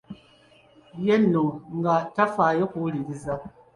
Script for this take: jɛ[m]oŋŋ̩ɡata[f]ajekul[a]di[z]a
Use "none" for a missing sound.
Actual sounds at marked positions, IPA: n, f, i, z

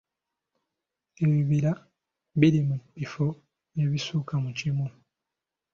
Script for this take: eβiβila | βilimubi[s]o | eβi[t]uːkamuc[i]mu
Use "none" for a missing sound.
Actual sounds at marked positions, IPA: f, s, i

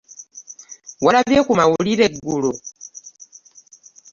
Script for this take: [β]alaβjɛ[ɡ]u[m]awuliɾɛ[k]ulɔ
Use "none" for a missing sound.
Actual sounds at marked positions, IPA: w, k, m, ɡ

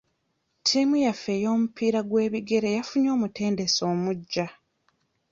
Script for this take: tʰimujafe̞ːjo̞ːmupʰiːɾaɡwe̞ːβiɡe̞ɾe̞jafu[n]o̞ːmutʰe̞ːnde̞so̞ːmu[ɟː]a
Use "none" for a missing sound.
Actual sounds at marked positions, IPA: ɲ, ɟː

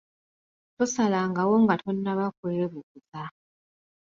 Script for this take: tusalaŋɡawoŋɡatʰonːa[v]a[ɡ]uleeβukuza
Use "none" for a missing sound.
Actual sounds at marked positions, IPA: β, k

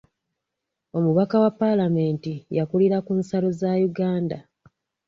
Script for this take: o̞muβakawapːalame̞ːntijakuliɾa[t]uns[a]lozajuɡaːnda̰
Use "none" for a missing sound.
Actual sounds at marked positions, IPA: k, a

